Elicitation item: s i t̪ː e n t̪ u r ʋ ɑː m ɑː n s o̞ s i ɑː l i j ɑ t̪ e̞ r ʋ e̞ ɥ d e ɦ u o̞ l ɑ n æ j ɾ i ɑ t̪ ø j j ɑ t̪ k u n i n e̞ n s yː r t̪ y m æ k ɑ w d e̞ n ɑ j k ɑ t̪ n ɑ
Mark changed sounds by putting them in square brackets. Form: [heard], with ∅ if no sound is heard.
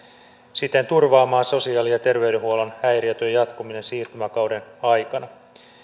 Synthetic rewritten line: s i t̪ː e n t̪ u r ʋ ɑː m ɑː n s o̞ s i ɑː l i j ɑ t̪ e̞ r ʋ e̞ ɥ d e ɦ u o̞ l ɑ n æ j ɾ i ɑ t̪ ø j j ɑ t̪ k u [m] i n e̞ n s [iː] r t̪ y m æ k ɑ w d e̞ n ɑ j k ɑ [∅] n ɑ